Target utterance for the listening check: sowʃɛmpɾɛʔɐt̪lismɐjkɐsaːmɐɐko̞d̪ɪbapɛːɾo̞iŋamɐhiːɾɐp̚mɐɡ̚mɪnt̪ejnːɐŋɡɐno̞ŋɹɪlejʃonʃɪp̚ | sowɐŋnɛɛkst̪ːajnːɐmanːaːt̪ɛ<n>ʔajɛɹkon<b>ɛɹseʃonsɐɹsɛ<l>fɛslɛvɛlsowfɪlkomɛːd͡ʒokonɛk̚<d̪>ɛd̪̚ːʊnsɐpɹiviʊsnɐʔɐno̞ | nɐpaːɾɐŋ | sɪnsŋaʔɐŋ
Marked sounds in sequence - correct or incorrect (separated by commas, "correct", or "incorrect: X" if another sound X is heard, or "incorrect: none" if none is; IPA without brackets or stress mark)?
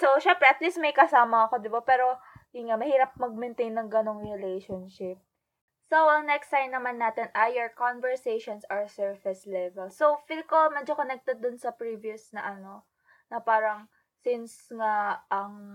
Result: correct, incorrect: v, incorrect: ɹ, incorrect: t̪